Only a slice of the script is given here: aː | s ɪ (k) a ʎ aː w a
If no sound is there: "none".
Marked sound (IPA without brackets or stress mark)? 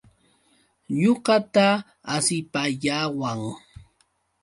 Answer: p